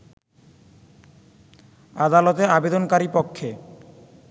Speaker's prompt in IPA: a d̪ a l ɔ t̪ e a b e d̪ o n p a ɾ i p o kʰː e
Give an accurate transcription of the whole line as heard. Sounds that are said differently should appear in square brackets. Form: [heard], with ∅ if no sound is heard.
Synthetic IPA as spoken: a d̪ a l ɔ t̪ e a b e d̪ o n [k] a ɾ i p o kʰː e